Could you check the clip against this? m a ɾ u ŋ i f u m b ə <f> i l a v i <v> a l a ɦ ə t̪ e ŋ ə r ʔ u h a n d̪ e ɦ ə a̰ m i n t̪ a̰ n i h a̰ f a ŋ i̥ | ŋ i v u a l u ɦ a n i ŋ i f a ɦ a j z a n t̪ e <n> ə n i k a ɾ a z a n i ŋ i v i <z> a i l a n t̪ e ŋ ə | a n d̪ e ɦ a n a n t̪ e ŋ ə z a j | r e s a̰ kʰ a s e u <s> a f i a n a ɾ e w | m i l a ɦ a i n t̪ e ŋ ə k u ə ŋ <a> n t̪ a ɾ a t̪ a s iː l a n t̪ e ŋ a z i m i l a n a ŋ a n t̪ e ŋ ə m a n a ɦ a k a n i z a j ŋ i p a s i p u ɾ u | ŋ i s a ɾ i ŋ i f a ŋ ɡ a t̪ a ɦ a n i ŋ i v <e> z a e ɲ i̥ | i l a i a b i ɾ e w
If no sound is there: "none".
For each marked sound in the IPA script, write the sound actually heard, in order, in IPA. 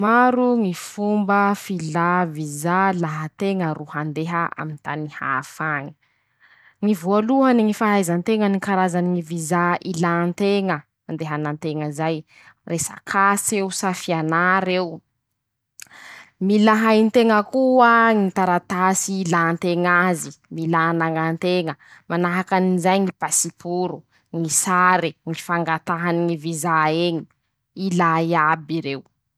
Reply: f, z, ŋ, z, s, i, i

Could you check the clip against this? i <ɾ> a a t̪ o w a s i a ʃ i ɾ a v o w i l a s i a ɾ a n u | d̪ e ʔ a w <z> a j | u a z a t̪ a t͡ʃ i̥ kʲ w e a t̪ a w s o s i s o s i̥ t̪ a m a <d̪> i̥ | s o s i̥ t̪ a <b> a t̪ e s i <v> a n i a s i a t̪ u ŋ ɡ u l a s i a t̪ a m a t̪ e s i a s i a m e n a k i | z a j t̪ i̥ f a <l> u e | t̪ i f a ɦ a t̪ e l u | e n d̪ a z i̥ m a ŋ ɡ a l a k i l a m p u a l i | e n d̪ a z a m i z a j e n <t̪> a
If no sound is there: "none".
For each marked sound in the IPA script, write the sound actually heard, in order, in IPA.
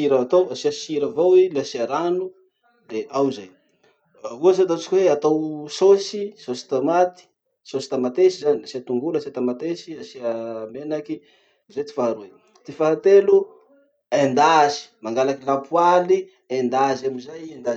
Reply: ɾ, z, t̪, m, z, ɾ, d̪

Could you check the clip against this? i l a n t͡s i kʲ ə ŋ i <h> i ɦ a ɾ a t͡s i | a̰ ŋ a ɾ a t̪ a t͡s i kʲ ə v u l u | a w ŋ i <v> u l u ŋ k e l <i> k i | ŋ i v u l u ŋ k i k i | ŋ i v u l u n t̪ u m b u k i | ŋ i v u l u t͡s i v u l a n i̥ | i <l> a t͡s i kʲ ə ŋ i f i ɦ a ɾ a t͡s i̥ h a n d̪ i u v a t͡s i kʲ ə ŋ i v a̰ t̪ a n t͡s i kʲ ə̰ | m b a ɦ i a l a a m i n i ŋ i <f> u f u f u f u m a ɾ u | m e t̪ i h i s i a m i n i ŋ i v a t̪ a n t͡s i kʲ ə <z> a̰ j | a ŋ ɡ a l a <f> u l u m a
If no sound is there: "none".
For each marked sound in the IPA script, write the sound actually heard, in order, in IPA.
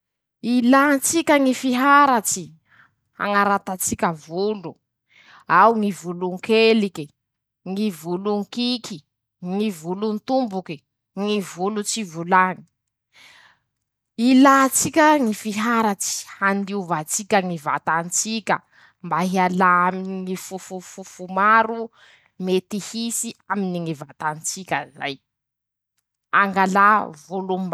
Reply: f, v, i, l, f, z, v

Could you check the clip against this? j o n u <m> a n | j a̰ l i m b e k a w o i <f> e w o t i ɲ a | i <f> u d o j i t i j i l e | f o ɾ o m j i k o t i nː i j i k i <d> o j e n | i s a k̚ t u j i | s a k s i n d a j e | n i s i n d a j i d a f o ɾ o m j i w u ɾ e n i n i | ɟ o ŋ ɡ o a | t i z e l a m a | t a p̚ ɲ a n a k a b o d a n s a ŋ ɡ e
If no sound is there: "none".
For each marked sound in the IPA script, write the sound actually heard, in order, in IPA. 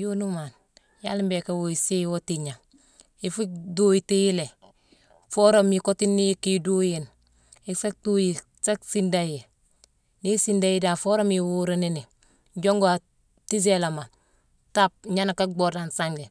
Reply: m, s, f, d

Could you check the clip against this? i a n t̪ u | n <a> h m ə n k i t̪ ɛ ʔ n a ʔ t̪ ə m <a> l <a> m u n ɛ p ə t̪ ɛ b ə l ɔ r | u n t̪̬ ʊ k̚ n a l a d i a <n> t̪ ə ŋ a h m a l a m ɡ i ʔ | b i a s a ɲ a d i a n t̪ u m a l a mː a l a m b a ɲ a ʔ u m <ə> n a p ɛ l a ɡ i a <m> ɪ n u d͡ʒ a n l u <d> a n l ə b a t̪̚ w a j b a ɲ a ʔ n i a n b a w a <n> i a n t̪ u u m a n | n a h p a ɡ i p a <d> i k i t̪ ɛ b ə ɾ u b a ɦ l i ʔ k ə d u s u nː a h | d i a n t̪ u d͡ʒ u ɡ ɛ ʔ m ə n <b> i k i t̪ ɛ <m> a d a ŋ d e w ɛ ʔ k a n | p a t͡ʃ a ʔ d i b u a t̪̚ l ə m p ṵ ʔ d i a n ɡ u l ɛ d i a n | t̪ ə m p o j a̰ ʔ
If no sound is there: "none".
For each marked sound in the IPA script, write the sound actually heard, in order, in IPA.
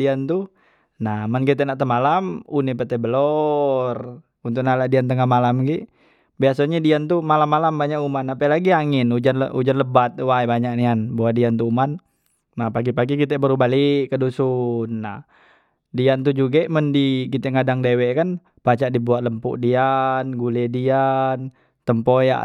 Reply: a, a, a, n, a, ŋ, d͡ʒ, d, ɡ, d, ŋ

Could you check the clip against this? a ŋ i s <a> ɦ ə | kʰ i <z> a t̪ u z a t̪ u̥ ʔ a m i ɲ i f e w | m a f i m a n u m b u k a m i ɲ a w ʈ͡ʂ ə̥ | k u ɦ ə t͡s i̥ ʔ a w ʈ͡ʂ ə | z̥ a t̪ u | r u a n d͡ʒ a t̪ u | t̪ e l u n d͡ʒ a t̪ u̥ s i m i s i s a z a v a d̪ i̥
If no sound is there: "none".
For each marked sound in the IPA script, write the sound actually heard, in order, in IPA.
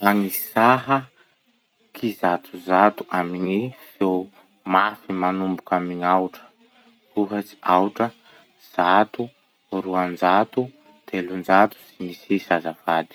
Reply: a, z

